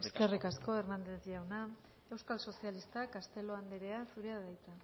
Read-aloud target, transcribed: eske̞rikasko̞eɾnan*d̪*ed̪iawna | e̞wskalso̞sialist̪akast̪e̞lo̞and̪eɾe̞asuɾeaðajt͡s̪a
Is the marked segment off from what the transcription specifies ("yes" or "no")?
no